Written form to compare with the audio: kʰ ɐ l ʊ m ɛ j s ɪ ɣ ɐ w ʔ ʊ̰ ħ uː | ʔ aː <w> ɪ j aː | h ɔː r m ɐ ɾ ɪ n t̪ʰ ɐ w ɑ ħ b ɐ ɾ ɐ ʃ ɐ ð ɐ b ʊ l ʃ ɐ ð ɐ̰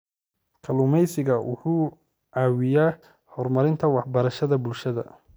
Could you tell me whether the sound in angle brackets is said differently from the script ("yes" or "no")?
no